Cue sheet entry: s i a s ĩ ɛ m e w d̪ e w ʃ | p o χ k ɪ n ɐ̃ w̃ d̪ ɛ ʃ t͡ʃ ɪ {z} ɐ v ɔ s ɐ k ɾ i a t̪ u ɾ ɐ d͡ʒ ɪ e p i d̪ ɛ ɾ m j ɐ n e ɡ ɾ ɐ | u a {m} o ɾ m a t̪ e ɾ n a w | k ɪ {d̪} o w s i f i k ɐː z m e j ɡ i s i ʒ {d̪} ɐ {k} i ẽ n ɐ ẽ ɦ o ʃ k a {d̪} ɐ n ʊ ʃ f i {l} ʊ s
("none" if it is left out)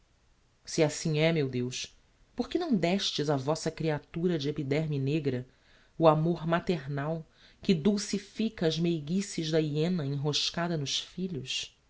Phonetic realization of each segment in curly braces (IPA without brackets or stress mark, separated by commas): z, m, d̪, d̪, none, d̪, ʎ